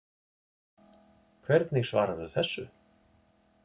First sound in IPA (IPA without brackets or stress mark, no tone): kʰ